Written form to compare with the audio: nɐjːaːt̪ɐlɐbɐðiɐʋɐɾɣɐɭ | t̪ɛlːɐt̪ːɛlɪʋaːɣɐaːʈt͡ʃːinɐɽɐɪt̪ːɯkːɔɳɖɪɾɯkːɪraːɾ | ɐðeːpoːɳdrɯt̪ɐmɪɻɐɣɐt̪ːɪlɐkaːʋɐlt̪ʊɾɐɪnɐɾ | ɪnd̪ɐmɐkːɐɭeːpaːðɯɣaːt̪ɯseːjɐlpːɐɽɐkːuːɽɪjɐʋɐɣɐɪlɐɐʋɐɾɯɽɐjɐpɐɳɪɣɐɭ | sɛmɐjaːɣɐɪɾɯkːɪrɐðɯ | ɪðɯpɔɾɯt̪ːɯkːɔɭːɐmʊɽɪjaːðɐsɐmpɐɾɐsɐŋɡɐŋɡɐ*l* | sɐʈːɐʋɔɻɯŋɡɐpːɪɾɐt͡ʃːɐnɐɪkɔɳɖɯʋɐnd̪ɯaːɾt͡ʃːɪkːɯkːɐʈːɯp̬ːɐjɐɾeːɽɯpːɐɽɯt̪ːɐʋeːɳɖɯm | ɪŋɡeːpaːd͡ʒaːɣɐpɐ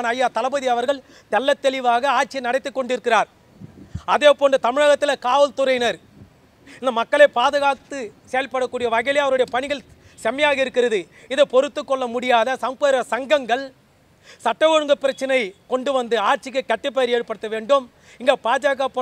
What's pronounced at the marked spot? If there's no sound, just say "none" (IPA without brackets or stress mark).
ɭ